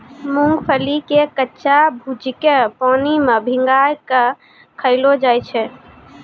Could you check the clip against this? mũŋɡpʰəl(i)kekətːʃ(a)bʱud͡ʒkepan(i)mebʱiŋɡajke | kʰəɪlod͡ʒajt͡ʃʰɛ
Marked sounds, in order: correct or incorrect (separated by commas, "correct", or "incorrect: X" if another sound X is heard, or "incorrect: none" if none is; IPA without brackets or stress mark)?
correct, correct, correct